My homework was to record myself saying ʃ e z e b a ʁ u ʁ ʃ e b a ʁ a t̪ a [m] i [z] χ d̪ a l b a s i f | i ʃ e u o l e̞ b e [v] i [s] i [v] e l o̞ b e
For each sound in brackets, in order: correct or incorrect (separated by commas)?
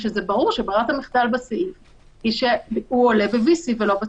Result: correct, incorrect, correct, correct, correct